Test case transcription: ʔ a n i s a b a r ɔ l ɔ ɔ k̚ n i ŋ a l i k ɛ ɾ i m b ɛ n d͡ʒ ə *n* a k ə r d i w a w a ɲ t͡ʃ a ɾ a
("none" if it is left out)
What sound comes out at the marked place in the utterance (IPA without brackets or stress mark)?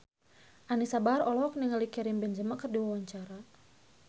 m